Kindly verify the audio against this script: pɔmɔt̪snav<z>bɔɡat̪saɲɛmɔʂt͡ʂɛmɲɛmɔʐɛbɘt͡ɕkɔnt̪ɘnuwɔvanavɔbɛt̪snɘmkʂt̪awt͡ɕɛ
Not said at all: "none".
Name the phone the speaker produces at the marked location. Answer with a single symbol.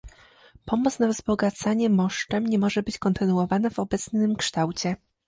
z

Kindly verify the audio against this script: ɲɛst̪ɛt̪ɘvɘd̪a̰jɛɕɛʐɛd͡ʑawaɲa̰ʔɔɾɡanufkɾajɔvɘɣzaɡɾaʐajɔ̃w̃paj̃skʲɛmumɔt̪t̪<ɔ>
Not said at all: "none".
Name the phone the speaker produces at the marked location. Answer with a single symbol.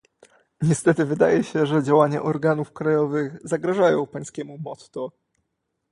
ɔ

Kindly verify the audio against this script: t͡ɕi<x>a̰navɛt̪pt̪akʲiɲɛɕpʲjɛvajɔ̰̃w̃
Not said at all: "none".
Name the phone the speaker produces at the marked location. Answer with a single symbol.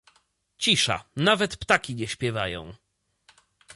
ʂ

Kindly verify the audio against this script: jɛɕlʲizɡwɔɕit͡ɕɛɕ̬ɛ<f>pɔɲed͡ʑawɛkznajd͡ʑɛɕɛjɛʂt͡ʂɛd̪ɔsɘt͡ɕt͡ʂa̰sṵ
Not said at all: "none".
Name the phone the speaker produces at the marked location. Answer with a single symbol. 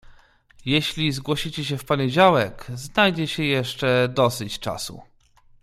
f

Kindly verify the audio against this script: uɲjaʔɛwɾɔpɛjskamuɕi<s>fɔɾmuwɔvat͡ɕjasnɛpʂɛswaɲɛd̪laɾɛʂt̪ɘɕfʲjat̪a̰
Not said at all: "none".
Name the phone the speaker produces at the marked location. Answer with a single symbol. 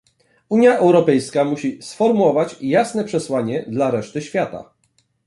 s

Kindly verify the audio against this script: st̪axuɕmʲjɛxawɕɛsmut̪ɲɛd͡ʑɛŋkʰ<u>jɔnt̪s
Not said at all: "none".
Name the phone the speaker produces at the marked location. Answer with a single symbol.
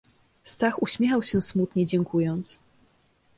u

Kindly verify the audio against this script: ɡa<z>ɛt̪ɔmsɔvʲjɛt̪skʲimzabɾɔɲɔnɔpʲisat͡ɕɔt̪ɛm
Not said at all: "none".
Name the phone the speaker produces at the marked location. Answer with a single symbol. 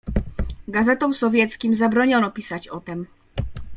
z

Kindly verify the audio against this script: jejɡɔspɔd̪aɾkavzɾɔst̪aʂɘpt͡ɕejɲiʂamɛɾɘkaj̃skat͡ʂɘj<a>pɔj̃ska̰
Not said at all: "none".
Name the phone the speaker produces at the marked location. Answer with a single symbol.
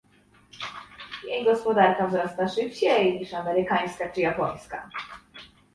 a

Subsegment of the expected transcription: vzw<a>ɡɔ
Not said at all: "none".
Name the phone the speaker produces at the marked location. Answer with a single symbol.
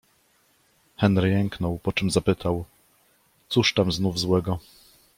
ɛ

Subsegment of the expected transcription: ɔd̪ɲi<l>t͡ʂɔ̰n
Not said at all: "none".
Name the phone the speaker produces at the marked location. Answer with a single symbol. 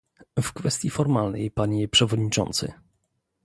none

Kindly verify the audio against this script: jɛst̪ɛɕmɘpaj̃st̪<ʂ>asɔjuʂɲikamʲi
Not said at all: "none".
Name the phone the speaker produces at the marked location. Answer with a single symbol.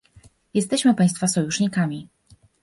f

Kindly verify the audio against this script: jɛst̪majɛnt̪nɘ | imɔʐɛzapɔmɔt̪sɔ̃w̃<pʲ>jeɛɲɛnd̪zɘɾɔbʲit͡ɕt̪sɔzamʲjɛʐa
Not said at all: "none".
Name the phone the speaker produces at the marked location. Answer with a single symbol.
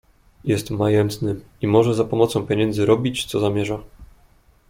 pʲ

